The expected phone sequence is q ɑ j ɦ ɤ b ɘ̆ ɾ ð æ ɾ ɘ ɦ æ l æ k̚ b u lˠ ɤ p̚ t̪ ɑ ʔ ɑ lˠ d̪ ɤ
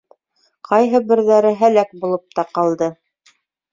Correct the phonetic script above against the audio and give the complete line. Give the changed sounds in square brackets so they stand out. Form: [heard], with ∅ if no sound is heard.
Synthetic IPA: q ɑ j ɦ ɤ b ɘ̆ ɾ ð æ ɾ ɘ ɦ æ l æ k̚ b u lˠ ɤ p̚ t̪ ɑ [q] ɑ lˠ d̪ ɤ